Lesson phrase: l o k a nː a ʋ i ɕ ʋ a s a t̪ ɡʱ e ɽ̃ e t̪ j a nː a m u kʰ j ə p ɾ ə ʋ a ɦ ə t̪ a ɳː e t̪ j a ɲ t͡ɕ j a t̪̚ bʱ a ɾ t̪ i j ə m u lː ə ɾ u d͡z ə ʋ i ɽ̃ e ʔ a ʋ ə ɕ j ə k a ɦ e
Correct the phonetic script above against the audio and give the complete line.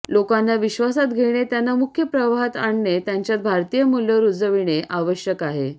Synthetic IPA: l o k a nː a ʋ i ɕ ʋ a s a t̪ ɡʱ e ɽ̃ e t̪ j a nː a m u kʰ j ə p ɾ ə ʋ a ɦ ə t̪ a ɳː e t̪ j a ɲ t͡ɕ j a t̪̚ bʱ a ɾ t̪ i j ə m u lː ə ɾ u d͡z ə ʋ i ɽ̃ e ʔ a ʋ ə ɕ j ə k a ɦ e